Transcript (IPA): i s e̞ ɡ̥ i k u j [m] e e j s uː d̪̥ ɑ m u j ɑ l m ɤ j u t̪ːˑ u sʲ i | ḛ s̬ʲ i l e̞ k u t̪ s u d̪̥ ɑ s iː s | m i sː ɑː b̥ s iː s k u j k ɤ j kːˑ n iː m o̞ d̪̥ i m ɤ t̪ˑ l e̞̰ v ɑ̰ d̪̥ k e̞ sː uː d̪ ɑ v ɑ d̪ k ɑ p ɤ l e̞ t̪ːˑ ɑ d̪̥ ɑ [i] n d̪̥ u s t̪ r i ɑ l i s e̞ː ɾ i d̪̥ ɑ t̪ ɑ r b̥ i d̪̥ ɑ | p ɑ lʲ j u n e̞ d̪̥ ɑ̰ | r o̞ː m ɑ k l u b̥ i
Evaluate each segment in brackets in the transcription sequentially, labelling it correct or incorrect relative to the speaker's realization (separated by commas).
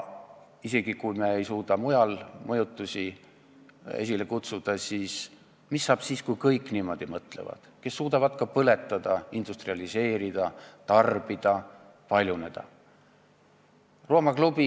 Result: correct, correct